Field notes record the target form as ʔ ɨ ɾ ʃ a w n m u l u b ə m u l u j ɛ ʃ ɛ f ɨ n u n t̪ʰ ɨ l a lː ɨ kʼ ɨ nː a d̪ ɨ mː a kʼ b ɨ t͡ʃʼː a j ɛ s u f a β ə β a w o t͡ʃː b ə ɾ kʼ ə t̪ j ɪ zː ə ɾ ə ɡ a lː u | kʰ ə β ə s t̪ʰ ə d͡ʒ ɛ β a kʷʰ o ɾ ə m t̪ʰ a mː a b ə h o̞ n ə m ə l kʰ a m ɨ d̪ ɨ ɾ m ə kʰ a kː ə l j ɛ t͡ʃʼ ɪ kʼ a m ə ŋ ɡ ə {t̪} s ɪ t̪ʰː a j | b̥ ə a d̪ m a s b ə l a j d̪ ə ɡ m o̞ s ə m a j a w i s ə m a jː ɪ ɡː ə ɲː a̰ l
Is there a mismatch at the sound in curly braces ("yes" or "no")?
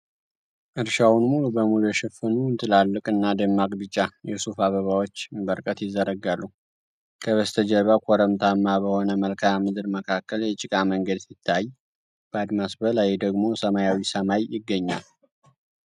yes